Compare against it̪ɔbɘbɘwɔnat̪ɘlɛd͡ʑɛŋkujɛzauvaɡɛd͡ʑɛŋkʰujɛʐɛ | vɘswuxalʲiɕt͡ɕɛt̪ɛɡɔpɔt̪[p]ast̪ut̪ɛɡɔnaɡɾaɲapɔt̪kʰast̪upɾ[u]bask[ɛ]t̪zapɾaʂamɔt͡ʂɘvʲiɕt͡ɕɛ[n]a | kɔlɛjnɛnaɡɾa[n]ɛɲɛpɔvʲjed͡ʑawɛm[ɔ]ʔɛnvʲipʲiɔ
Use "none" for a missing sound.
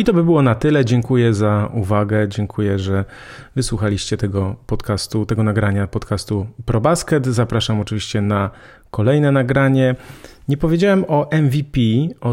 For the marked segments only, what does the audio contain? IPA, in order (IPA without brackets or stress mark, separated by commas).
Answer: k, ɔ, ɛ, n, ɲ, ɔ